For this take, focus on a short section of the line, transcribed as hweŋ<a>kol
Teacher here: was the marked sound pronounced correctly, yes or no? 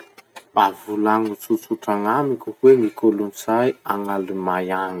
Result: no